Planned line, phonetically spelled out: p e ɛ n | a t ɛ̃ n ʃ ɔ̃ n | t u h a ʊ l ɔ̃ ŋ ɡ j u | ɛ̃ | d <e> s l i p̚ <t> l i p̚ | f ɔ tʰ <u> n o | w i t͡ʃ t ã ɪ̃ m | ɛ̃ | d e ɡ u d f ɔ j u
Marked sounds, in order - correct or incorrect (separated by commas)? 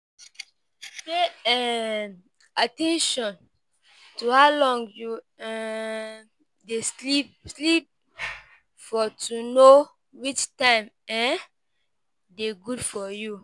correct, incorrect, correct